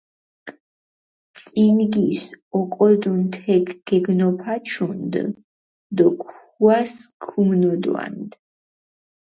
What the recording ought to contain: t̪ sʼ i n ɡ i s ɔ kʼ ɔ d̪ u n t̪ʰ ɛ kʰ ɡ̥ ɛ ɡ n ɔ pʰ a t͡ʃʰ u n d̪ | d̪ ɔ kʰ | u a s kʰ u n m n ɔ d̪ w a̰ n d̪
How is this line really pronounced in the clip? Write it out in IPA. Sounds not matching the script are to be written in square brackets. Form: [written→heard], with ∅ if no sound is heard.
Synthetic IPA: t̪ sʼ i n ɡ i s ɔ kʼ ɔ d̪ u n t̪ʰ ɛ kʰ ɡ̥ ɛ ɡ n ɔ pʰ a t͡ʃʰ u n d̪ | d̪ ɔ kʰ | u a s kʰ u [n→∅] m n ɔ d̪ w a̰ n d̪